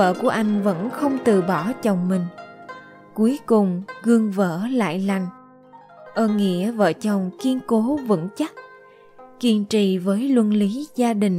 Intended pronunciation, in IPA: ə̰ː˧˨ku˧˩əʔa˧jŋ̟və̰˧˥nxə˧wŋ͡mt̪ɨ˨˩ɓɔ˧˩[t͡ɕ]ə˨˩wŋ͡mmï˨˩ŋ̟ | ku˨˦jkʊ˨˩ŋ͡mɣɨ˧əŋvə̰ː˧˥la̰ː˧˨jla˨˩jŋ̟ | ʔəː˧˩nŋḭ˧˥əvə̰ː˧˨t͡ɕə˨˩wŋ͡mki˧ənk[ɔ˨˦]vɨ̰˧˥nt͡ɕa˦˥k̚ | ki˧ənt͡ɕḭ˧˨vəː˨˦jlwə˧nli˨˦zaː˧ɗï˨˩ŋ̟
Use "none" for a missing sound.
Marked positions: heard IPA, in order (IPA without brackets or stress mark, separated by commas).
t͡ɕ, o˨˦